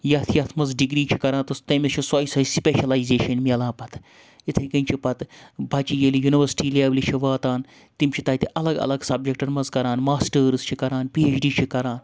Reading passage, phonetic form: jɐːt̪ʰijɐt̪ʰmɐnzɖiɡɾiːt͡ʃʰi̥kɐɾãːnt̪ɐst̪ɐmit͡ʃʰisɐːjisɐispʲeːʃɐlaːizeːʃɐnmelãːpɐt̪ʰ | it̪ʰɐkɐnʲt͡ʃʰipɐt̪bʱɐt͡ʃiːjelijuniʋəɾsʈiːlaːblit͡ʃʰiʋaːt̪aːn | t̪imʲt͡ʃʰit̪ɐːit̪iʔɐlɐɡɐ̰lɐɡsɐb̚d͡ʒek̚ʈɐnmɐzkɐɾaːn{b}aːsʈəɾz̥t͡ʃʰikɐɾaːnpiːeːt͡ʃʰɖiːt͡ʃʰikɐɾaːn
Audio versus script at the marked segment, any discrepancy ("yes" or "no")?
yes